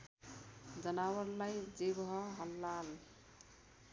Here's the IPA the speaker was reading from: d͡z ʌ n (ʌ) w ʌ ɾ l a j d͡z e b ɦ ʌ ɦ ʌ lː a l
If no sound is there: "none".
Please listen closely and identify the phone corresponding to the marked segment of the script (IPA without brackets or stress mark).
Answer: a